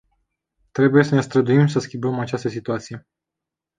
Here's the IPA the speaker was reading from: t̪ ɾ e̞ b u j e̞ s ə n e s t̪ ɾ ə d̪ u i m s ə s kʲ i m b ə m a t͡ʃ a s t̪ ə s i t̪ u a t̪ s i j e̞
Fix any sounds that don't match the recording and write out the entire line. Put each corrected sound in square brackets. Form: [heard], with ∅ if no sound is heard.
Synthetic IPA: t̪ ɾ e̞ b u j e̞ s ə n e s t̪ ɾ ə d̪ u i m s ə s kʲ i m b ə m a t͡ʃ a s t̪ ə s i t̪ u a t̪ s i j e̞